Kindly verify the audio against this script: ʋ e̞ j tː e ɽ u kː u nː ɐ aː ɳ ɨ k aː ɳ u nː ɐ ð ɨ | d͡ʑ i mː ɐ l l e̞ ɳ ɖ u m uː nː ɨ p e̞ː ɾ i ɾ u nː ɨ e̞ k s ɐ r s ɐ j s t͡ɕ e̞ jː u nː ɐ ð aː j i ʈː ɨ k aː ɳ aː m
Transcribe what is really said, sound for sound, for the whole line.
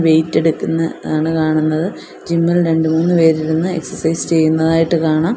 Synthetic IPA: ʋ e̞ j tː e ɽ u kː u nː ɐ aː ɳ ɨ k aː ɳ u nː ɐ ð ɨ | d͡ʑ i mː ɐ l ɾ e̞ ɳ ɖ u m uː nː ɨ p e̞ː ɾ i ɾ u nː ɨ e̞ k s ɐ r s ɐ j s t͡ɕ e̞ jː u nː ɐ ð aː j i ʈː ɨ k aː ɳ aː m